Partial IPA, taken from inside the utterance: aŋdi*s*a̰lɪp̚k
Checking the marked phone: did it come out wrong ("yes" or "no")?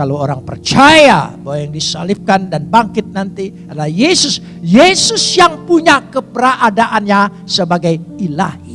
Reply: no